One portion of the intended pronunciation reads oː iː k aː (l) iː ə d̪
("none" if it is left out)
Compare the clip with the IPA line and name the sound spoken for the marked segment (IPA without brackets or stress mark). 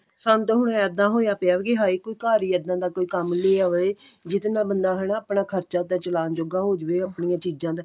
ɾ